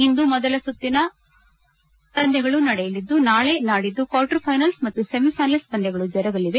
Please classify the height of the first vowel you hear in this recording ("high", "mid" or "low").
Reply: high